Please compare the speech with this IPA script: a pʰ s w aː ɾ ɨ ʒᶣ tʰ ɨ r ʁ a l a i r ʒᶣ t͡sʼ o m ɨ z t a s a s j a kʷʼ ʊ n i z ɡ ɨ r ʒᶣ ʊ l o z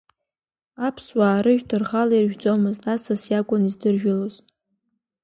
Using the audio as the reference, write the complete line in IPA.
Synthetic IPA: a pʰ s w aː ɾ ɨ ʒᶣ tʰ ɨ r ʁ a l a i r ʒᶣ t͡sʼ o m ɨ z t a s a s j a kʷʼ ʊ n i z d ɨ r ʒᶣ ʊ l o z

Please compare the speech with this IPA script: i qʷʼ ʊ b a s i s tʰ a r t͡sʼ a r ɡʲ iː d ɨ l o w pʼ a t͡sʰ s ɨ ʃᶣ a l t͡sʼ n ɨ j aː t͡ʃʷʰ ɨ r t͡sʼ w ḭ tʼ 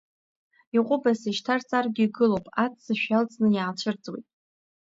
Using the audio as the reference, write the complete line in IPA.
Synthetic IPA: i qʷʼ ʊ b a s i ʃ tʰ a r t͡sʼ a r ɡʲ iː ɡ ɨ l o w pʼ a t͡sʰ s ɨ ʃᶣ a l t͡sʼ n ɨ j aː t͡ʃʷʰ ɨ r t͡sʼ w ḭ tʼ

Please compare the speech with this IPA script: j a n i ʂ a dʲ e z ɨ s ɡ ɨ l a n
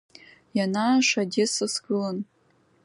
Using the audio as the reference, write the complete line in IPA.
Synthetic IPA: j a n a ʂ a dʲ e s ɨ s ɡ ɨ l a n

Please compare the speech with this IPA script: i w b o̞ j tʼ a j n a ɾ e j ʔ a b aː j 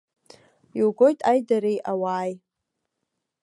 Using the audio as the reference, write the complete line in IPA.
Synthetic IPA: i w ɡ o̞ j tʼ a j d a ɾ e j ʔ a w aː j

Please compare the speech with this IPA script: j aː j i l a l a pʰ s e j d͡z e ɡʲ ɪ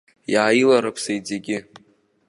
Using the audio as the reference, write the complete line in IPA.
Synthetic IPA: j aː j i l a ɾ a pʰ s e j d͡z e ɡʲ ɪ

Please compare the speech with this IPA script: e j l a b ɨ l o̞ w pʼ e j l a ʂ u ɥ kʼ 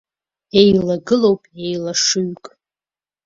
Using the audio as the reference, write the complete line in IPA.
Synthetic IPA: e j l a ɡ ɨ l o̞ w pʼ e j l a ʂ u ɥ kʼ

